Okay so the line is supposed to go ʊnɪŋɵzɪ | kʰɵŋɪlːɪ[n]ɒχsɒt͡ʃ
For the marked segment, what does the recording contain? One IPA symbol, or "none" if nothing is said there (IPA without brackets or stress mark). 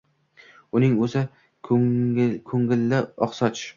none